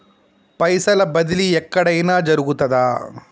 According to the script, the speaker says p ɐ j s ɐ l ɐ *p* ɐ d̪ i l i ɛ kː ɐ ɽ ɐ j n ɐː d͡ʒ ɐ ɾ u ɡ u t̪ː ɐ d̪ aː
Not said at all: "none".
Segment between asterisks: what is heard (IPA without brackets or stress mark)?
b